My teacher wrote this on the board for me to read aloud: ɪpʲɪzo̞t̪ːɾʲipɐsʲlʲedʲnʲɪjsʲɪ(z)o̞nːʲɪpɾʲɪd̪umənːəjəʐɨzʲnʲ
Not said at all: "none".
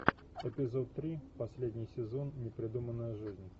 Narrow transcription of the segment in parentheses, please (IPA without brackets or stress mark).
z